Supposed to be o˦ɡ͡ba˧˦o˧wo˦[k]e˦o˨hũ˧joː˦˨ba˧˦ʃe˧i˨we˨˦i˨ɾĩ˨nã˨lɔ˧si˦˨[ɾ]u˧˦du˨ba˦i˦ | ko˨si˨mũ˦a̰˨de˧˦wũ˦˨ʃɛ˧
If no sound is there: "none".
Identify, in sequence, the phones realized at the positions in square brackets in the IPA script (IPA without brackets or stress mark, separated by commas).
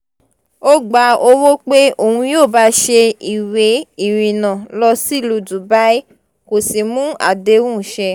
k͡p, l